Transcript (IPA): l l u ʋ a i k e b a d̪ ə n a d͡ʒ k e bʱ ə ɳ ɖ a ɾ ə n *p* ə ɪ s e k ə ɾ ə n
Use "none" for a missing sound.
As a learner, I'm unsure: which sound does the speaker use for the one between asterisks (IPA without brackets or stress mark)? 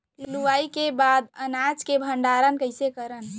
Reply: k